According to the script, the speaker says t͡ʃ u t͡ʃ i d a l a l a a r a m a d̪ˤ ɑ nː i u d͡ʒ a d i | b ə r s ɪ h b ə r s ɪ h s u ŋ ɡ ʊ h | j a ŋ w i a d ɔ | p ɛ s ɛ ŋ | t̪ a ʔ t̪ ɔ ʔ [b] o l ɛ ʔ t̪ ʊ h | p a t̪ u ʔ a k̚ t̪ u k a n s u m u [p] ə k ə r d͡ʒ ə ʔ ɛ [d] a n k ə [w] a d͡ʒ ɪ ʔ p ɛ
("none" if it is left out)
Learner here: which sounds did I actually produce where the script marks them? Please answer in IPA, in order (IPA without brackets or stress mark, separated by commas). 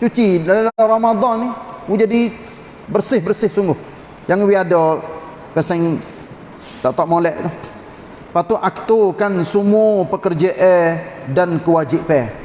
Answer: m, p, d, w